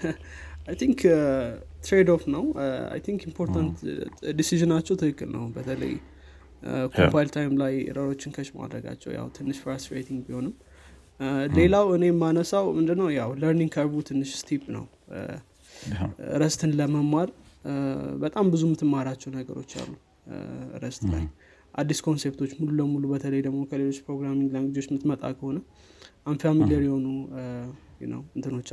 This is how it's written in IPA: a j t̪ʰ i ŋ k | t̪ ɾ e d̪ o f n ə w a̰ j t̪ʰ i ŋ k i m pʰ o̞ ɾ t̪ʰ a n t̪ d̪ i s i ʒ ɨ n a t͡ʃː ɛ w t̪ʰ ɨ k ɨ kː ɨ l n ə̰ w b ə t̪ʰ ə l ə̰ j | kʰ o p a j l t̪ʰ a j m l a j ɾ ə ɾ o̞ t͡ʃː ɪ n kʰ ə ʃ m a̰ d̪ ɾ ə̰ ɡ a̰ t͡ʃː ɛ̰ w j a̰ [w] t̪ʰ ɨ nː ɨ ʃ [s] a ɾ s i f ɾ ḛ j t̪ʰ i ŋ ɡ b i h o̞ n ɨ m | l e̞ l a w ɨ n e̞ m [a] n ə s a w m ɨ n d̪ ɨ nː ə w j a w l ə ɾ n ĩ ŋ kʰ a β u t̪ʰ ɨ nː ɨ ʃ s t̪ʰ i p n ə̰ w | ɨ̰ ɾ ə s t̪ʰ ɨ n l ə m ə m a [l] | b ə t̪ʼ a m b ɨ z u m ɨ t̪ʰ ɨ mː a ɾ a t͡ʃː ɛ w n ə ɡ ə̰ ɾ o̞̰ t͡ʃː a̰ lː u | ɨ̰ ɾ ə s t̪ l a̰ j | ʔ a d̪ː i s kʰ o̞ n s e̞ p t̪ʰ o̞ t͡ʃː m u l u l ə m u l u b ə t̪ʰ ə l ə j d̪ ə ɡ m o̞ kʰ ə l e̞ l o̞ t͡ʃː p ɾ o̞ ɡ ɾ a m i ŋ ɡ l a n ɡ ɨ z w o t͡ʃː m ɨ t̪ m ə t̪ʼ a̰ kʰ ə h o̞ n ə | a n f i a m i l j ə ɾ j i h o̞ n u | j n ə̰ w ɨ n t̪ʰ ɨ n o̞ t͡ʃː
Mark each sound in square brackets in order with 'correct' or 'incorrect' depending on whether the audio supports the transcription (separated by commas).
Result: correct, incorrect, correct, incorrect